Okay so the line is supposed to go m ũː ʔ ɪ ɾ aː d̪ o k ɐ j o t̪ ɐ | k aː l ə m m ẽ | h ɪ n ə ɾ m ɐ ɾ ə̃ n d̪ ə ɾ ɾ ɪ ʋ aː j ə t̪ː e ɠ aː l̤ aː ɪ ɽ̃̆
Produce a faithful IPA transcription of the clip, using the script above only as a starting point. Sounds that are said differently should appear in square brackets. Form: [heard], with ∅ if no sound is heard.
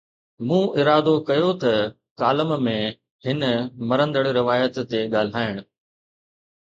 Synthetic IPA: m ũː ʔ ɪ ɾ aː d̪ o k ɐ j o t̪ ɐ | k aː l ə m m ẽ | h ɪ n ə [∅] m ɐ ɾ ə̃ n d̪ ə [ɽ] ɾ ɪ ʋ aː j ə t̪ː e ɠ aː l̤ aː ɪ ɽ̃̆